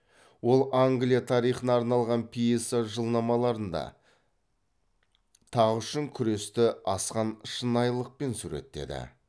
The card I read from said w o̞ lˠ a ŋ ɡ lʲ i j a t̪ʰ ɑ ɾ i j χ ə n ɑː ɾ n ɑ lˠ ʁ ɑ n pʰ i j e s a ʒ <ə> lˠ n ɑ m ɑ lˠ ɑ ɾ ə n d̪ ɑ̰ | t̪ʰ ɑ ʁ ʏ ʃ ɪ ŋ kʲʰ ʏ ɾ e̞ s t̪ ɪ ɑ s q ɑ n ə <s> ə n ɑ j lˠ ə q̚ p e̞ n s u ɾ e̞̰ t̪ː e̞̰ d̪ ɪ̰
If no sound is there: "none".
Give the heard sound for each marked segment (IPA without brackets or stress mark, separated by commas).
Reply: ə, ʃ